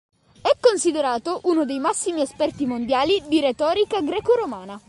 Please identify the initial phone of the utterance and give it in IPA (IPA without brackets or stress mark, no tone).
ɛ